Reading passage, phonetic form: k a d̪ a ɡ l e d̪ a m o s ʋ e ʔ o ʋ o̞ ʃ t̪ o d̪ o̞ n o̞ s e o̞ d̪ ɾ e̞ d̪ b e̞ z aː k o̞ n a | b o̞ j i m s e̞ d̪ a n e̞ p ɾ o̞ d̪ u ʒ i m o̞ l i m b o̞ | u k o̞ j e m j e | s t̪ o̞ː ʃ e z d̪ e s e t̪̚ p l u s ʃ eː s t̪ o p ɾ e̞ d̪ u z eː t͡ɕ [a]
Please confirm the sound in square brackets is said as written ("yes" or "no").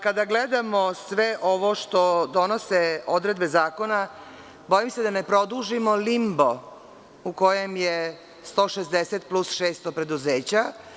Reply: yes